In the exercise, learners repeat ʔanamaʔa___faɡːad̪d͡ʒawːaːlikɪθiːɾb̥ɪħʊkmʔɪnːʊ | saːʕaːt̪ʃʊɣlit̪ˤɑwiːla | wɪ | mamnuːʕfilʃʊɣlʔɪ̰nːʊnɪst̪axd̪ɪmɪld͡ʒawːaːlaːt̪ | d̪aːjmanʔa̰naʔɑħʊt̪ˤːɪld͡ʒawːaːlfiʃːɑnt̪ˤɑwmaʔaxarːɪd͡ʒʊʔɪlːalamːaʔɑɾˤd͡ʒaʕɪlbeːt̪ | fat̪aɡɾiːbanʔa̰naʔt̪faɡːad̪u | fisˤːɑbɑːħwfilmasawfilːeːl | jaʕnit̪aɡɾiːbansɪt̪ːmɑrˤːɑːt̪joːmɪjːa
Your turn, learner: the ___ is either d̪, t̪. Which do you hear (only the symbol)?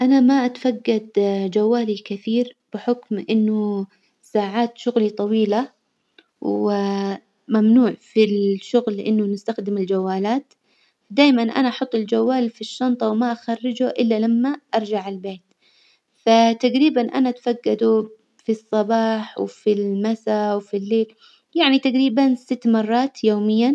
t̪